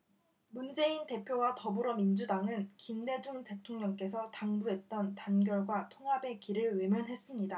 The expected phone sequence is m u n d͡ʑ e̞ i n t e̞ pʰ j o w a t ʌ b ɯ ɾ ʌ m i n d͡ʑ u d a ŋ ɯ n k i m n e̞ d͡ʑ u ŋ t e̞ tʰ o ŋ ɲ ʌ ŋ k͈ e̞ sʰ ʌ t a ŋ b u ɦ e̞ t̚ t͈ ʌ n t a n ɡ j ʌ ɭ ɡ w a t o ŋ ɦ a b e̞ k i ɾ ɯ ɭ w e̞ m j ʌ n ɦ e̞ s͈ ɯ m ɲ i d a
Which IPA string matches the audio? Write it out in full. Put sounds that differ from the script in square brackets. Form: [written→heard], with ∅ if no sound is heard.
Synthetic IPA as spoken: m u n d͡ʑ e̞ i n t e̞ pʰ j o w a t ʌ b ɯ ɾ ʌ m i n d͡ʑ u d a ŋ ɯ n k i m n e̞ d͡ʑ u ŋ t e̞ tʰ o ŋ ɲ ʌ ŋ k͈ e̞ sʰ ʌ t a ŋ b u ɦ e̞ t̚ t͈ ʌ n t a n ɡ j ʌ ɭ ɡ w a [t→tʰ] o ŋ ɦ a b e̞ k i ɾ ɯ ɭ w e̞ m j ʌ n ɦ e̞ s͈ ɯ m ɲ i d a